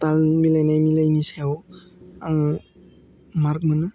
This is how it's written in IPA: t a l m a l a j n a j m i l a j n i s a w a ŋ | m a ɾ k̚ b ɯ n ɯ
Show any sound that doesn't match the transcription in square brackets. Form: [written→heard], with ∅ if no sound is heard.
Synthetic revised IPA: t a l m [a→i] l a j n a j m i l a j n i s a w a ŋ | m a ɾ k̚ [b→m] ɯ n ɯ